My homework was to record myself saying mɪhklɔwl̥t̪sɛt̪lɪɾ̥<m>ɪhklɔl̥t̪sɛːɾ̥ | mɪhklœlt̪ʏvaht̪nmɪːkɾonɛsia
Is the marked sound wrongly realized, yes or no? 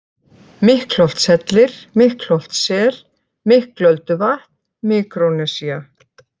no